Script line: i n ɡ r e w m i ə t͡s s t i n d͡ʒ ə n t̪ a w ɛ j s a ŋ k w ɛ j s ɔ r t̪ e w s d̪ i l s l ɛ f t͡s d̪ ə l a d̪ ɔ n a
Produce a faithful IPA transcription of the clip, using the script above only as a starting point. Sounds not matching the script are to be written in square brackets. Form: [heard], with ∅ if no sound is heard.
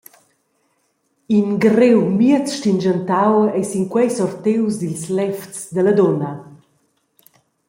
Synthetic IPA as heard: i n ɡ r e w m i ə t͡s [ʃ] t i n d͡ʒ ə n t̪ a w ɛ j s [i] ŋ k w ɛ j s ɔ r t̪ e w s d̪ i l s l ɛ f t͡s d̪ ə l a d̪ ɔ n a